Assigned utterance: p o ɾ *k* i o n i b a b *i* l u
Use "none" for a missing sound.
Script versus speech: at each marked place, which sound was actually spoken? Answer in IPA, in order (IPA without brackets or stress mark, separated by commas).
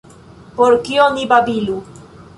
k, i